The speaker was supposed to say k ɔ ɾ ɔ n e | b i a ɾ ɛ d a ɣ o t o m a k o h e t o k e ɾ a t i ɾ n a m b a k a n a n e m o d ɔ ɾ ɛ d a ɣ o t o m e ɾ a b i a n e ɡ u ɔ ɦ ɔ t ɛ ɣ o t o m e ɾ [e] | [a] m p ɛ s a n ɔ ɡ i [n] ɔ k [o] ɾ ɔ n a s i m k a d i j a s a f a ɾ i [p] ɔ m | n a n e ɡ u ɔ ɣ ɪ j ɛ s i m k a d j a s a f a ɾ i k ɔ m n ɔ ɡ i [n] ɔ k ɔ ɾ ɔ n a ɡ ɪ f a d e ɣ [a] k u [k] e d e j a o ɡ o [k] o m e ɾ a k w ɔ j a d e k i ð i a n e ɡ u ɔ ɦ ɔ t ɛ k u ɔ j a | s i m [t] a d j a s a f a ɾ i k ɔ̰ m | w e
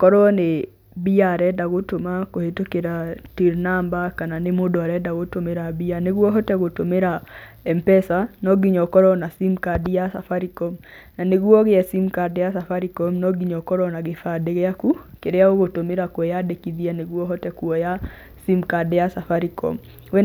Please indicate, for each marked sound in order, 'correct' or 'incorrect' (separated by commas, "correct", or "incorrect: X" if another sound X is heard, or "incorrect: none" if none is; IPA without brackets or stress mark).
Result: incorrect: a, incorrect: ɛ, incorrect: ɲ, incorrect: ɔ, incorrect: k, incorrect: ɲ, correct, correct, incorrect: t, incorrect: k